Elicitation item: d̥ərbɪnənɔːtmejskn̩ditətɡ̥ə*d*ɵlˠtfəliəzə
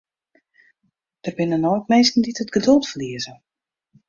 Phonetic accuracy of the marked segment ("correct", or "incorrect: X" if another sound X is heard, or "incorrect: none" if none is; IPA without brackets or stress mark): correct